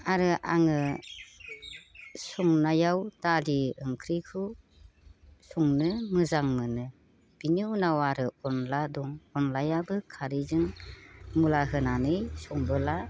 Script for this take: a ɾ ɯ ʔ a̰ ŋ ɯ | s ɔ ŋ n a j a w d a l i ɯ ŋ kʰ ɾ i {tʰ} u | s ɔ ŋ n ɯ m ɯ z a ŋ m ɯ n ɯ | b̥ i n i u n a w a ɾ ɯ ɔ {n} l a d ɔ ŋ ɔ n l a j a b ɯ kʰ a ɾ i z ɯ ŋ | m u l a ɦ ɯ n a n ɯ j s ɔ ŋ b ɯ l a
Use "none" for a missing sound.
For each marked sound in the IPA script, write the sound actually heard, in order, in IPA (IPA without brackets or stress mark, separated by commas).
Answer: kʰ, n